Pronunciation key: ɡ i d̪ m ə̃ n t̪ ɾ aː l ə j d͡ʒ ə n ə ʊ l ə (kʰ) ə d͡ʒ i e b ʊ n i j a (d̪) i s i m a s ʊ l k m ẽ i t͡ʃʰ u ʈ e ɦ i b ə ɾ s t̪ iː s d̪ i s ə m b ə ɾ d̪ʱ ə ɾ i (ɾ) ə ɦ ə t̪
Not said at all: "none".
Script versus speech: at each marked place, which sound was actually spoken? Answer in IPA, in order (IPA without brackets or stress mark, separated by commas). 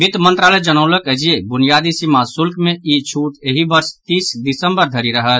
k, d̪, ɾ